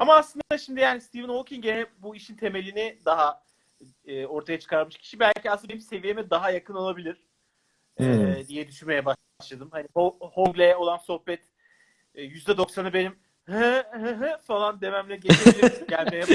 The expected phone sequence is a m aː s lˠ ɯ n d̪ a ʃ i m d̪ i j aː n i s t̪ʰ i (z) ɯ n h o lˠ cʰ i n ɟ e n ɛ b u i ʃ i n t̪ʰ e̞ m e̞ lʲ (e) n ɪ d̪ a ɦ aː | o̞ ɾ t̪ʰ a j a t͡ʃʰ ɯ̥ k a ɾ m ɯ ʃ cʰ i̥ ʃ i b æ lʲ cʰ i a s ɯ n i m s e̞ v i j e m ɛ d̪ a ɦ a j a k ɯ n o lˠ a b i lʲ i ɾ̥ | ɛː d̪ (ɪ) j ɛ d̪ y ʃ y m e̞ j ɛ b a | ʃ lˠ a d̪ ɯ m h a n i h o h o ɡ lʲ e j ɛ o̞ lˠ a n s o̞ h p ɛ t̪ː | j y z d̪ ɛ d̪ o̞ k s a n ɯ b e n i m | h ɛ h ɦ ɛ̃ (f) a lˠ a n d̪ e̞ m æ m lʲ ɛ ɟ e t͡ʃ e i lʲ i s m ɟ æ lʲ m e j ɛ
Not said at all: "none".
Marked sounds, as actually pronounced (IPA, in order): v, i, i, f

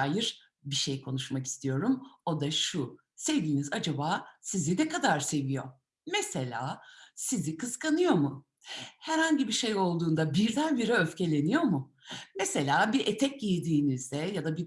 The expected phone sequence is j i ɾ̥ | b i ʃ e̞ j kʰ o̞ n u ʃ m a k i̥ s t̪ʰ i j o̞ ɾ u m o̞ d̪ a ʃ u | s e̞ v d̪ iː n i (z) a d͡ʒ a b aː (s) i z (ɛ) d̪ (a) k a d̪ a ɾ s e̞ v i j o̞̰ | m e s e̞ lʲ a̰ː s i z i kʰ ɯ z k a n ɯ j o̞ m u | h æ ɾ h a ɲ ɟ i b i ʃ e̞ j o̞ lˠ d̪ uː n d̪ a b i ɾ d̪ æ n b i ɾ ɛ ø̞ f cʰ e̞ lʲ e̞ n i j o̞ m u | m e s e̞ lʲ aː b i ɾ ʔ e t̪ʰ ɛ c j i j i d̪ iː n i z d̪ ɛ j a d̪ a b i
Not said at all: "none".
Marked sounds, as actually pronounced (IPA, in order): z, s, i, ɛ

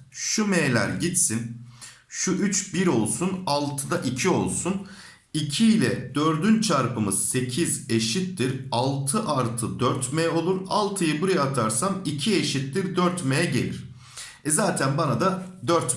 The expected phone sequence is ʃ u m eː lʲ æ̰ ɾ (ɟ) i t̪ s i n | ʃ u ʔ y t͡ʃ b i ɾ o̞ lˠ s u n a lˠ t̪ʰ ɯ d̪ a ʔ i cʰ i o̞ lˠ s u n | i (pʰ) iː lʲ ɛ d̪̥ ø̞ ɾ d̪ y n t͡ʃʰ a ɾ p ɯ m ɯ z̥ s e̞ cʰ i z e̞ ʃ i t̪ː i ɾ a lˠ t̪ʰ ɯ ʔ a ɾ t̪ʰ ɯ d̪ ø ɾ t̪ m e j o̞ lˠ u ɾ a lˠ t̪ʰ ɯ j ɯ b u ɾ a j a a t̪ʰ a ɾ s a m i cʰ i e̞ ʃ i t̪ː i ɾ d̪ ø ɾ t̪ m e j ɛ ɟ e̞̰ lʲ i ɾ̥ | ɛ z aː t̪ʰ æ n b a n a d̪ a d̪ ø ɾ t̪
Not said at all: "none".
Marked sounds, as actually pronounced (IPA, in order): ɟ, cʰ

